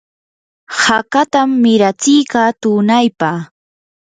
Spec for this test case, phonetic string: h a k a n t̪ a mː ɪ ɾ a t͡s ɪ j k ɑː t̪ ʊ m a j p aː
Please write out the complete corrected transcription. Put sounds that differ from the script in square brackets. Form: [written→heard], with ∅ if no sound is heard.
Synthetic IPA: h a k a [n→∅] t̪ a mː ɪ ɾ a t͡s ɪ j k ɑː t̪ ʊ [m→n] a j p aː